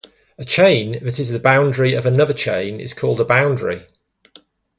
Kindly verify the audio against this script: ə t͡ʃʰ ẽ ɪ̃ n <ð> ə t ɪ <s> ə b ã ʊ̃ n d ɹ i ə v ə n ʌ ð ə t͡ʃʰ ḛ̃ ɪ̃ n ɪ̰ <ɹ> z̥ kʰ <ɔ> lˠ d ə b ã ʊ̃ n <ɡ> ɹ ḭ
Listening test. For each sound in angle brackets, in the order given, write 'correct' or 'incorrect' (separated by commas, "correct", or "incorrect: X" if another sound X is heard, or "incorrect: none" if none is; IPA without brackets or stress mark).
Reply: correct, incorrect: z, incorrect: none, incorrect: ɔː, incorrect: d